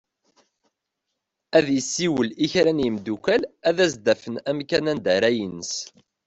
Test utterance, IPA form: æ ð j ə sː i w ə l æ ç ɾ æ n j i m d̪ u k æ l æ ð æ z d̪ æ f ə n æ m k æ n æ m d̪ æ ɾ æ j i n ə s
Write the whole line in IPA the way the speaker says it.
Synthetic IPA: æ ð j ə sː i w ə l i ç ɾ æ n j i m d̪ u k æ l æ ð æ z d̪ æ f ə n æ m k æ n æ n d̪ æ ɾ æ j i n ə s